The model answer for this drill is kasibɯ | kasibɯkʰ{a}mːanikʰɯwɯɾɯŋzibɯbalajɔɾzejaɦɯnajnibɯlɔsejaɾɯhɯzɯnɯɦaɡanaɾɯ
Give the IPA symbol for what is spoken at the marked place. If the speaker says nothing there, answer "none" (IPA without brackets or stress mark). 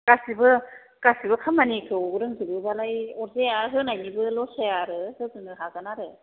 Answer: a